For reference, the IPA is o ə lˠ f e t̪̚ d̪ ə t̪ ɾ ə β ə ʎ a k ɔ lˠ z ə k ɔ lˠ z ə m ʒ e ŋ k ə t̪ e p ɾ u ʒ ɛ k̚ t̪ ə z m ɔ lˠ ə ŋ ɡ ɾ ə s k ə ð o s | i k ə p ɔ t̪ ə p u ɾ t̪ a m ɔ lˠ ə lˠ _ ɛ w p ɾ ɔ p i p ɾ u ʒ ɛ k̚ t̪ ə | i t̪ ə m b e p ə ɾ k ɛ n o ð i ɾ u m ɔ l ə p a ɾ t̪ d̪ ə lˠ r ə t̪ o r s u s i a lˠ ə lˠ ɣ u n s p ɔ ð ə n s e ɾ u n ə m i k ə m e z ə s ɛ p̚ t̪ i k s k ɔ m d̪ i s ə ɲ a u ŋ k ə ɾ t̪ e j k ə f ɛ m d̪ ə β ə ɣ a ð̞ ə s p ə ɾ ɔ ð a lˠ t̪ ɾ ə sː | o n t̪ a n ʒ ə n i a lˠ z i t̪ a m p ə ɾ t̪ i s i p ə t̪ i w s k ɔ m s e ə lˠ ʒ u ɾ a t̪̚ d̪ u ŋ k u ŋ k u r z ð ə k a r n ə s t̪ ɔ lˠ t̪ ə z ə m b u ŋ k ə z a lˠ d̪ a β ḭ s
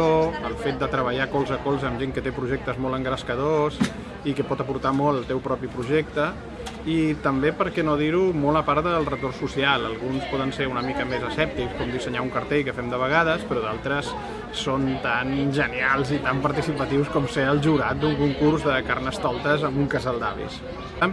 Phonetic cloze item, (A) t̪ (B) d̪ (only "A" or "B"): A